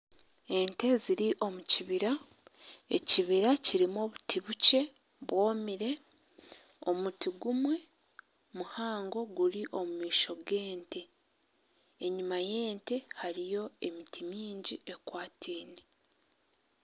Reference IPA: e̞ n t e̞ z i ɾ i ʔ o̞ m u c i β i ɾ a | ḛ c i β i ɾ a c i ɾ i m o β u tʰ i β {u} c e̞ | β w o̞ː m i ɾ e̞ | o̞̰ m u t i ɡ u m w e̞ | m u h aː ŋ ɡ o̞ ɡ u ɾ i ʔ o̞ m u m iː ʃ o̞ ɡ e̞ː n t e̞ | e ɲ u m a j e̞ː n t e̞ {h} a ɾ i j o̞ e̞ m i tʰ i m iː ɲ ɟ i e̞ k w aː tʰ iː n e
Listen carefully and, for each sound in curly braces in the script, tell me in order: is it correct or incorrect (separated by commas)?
correct, correct